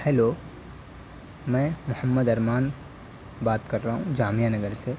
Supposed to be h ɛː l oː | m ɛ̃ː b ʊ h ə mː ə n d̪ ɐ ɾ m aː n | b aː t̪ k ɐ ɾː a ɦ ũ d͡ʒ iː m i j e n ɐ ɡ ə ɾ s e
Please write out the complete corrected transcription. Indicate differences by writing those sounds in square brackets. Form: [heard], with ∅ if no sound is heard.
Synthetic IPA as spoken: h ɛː l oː | m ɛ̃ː [m] ʊ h ə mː ə [∅] d̪ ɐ ɾ m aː n | b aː t̪ k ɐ ɾː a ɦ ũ d͡ʒ [aː] m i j [a] n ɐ ɡ ə ɾ s e